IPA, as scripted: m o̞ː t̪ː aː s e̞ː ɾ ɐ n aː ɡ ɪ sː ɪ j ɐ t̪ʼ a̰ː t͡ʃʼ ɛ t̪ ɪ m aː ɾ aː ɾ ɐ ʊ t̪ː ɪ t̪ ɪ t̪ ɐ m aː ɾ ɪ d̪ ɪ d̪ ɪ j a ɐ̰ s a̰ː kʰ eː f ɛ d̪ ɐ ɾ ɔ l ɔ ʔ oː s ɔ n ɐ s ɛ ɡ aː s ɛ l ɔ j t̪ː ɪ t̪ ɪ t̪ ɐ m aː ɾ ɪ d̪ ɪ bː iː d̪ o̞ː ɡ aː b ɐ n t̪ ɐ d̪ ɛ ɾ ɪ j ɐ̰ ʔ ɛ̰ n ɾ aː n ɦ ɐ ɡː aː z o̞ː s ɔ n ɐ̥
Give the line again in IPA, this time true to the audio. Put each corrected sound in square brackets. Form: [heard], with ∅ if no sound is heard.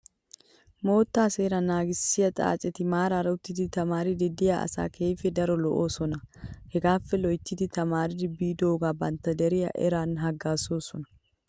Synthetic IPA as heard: m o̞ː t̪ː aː s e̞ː ɾ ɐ n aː ɡ ɪ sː ɪ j ɐ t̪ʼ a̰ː t͡ʃʼ ɛ t̪ ɪ m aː ɾ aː ɾ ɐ ʊ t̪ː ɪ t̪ ɪ t̪ ɐ m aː ɾ ɪ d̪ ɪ d̪ ɪ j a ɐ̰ s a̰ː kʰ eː f ɛ d̪ ɐ ɾ ɔ l ɔ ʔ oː s ɔ n ɐ [h] ɛ ɡ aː [f] ɛ l ɔ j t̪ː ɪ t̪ ɪ t̪ ɐ m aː ɾ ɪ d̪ ɪ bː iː d̪ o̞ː ɡ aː b ɐ n t̪ ɐ d̪ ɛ ɾ ɪ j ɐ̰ ʔ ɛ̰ [∅] ɾ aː n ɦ ɐ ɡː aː [s] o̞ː s ɔ n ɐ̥